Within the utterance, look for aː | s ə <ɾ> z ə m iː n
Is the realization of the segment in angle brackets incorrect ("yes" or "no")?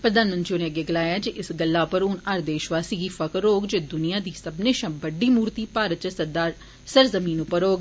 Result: no